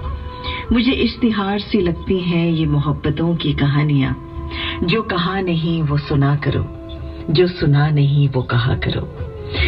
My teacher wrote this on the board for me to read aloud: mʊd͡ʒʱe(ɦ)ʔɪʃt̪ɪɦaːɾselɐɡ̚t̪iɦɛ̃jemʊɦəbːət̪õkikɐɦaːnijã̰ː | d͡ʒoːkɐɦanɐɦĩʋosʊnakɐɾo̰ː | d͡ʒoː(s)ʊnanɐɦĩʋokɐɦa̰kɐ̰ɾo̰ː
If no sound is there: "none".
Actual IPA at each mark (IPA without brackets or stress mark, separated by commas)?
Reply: none, s